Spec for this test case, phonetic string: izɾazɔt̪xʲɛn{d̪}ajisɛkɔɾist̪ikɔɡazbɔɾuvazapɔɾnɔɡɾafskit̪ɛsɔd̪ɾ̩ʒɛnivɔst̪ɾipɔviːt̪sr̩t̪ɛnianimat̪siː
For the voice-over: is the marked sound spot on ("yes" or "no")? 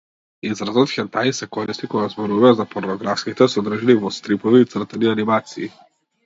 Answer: no